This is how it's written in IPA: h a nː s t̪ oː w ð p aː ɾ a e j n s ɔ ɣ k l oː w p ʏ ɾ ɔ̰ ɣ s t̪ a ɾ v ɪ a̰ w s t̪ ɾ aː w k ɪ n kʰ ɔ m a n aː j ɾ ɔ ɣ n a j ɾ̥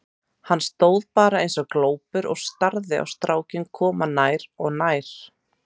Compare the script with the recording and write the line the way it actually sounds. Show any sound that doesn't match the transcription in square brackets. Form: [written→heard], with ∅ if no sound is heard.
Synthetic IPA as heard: h a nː s t̪ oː w ð p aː ɾ a e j n s ɔ ɣ k l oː w p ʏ ɾ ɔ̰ ɣ s t̪ a ɾ [v→ð] ɪ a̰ w s t̪ ɾ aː w [k→c] ɪ n kʰ [ɔ→ɔː] m a n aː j ɾ ɔ ɣ n a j ɾ̥